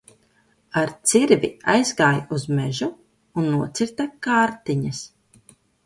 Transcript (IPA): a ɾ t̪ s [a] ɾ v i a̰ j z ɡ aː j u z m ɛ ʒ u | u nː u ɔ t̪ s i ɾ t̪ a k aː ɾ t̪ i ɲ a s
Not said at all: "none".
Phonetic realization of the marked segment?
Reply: i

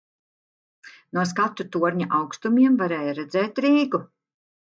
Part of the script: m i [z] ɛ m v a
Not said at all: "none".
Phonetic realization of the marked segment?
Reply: none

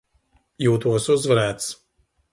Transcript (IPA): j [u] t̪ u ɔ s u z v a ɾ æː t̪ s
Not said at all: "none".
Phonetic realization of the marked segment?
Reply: uː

